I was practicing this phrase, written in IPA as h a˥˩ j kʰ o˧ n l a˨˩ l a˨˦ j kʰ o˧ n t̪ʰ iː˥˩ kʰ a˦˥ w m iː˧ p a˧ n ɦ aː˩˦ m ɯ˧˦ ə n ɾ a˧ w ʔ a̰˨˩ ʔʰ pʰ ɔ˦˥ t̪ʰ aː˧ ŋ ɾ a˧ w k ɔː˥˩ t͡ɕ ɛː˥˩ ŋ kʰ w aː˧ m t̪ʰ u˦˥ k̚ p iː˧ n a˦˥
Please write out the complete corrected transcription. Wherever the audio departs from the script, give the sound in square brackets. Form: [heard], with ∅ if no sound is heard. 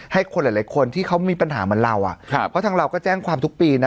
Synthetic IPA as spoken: h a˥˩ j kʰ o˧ n l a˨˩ l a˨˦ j kʰ o˧ n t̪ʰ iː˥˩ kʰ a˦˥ w m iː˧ p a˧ n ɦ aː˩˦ m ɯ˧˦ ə n ɾ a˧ w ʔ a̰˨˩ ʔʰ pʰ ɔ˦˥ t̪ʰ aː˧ ŋ ɾ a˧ w k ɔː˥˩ t͡ɕ ɛː˥˩ ŋ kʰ w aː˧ m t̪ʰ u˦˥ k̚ p iː˧ n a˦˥